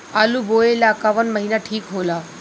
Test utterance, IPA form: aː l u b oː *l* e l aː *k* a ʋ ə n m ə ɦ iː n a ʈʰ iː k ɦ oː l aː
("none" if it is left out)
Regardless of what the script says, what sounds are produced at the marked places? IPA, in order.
none, k

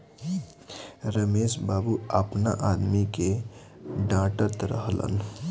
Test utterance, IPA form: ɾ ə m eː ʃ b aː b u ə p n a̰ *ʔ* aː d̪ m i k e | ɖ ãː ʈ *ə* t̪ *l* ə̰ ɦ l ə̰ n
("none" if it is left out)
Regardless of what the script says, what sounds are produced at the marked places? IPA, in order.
ʔ, ə, ɾ

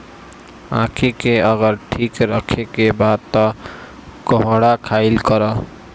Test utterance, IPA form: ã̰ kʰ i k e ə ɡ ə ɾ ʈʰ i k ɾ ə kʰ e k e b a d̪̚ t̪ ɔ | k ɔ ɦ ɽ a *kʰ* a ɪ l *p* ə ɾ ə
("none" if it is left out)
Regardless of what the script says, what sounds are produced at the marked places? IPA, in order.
kʰ, k

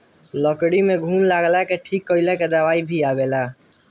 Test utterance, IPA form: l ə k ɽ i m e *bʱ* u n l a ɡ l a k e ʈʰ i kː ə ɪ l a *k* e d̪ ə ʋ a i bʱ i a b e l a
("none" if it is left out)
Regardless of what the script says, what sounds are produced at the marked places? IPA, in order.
ɡʱ, k

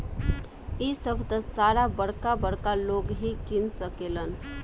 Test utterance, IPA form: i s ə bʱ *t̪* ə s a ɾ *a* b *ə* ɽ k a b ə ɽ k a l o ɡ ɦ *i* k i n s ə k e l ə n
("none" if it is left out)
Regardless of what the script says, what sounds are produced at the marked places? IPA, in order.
t̪, a, ə, i

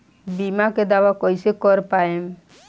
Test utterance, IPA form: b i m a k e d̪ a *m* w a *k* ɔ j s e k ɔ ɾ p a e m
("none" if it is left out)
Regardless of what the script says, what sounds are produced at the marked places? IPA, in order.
none, k

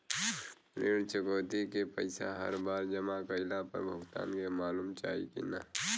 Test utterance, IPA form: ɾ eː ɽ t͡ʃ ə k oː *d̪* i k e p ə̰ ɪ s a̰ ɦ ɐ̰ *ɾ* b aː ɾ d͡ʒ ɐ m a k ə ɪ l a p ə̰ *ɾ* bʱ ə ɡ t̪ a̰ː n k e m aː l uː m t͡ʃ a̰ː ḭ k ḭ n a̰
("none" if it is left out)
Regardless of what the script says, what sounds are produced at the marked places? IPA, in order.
t̪, ɾ, ɾ

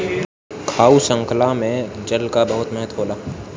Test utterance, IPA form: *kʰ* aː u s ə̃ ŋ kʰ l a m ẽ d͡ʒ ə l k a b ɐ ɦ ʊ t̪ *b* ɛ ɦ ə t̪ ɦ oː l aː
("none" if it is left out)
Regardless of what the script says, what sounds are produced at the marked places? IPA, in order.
kʰ, m

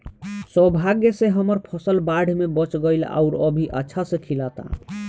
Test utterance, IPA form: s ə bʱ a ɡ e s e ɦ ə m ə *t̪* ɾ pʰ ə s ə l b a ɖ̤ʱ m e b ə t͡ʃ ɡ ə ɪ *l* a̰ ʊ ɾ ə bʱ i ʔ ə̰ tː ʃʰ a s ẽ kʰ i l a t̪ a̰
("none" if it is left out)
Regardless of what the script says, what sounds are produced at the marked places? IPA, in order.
none, l

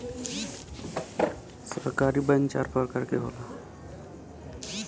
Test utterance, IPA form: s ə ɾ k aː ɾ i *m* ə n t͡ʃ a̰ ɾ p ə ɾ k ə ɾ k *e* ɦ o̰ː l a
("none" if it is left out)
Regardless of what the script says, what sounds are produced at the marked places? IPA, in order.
b, e

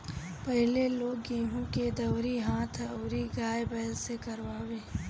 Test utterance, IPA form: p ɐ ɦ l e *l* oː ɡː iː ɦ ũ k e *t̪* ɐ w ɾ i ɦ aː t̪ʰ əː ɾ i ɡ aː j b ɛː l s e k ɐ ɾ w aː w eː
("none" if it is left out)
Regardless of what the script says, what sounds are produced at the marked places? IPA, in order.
l, d̪

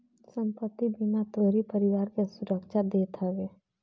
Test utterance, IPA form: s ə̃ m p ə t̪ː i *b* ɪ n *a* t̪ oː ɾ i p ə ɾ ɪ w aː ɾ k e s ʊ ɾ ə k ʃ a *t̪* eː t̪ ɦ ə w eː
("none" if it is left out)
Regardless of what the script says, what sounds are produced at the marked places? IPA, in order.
b, a, d̪

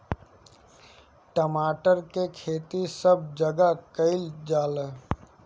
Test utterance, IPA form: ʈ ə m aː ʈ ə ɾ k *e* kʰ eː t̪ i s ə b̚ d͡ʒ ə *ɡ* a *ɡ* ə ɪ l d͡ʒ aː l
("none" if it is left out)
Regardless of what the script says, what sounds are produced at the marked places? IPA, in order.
e, ɡ, k

